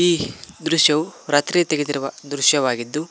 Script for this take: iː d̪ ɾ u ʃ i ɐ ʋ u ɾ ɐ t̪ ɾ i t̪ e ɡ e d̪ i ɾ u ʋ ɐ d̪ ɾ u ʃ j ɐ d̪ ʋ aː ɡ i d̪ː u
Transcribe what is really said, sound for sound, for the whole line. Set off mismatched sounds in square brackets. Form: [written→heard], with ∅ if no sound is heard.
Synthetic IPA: iː d̪ ɾ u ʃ [i→j] ɐ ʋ u ɾ ɐ t̪ ɾ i t̪ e ɡ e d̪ i ɾ u ʋ ɐ d̪ ɾ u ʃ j ɐ [d̪→∅] ʋ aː ɡ i d̪ː u